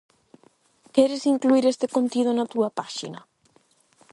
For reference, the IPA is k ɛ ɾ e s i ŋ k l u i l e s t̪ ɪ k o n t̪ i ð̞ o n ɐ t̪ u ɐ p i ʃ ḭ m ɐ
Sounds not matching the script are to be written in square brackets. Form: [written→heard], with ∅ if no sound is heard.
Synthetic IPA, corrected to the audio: k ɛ ɾ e s i ŋ k l u i [l→ɾ] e s t̪ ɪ k o n t̪ i ð̞ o n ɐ t̪ u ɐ p [i→a] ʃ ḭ [m→n] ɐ